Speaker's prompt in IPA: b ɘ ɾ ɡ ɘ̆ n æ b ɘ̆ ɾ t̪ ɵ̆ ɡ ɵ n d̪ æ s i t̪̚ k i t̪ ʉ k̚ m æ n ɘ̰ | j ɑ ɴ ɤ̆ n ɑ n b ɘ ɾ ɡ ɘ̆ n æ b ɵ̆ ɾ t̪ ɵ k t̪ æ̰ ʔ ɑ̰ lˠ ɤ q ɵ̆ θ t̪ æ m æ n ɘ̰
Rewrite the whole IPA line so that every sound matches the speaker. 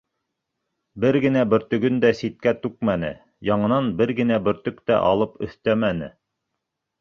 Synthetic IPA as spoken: b ɘ ɾ ɡ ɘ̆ n æ b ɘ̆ ɾ t̪ ɵ̆ ɡ ɵ n d̪ æ s i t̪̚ k æ t̪ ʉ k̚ m æ n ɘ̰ | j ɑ ɴ ɤ̆ n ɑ n b ɘ ɾ ɡ ɘ̆ n æ b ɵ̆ ɾ t̪ ɵ k t̪ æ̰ ʔ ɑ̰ lˠ ɤ p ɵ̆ θ t̪ æ m æ n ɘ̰